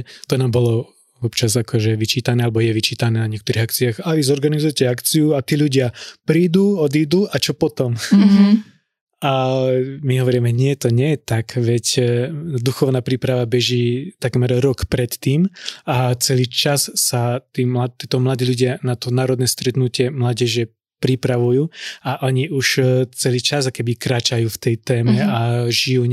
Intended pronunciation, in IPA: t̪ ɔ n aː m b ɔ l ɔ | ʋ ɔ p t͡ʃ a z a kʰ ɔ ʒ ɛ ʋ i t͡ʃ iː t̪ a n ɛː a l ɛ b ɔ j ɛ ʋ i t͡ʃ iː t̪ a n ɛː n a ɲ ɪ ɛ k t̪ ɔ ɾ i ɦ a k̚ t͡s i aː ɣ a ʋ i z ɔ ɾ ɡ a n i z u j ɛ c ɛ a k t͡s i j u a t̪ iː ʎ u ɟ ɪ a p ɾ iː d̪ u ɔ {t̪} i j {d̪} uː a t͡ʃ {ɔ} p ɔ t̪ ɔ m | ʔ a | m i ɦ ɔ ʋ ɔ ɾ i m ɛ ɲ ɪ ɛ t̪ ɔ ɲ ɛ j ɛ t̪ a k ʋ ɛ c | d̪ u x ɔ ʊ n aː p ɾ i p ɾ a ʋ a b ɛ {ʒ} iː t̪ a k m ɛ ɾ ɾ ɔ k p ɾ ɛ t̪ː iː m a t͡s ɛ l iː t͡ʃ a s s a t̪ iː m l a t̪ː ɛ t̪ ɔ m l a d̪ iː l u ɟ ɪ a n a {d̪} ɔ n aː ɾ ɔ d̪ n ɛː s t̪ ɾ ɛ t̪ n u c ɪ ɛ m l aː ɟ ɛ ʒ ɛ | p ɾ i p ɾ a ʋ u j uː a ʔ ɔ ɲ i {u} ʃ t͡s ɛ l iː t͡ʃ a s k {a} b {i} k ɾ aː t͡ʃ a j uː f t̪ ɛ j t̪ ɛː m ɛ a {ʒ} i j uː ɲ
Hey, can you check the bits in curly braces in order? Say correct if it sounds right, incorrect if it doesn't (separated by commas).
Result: incorrect, correct, correct, correct, incorrect, correct, incorrect, correct, correct